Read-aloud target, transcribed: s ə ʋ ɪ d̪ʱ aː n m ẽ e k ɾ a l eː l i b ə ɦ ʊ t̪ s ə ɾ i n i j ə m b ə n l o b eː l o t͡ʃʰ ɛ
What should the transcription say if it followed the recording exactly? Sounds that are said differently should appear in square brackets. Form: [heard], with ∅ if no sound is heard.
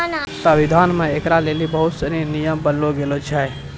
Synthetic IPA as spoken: s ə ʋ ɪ d̪ʱ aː n m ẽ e k ɾ a l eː l i b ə ɦ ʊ t̪ s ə ɾ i n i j ə m b ə n l o [ɡ] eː l o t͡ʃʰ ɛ